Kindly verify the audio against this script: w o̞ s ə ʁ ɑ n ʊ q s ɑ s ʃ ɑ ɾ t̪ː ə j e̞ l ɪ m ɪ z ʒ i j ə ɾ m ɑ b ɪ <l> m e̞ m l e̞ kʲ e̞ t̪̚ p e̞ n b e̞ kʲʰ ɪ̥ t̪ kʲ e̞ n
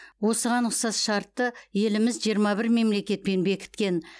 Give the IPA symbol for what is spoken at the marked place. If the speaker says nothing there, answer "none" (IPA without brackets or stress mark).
ɾ